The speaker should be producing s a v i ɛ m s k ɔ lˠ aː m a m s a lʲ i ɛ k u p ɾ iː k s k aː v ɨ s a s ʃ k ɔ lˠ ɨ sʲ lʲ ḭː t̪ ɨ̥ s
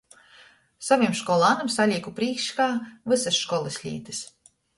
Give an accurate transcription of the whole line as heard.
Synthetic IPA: s a v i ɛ m ʃ k ɔ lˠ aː n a m s a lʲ i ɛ k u p ɾ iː k ʃ k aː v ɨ s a s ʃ k ɔ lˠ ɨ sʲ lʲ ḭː t̪ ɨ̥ s

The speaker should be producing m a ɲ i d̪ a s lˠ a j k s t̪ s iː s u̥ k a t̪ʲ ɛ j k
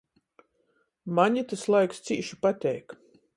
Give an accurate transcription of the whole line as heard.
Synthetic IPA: m a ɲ i t̪ a s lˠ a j k s t̪ s iː ʃ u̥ p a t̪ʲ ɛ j k

